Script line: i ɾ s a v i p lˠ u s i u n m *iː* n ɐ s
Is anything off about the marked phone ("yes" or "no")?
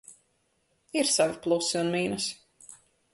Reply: no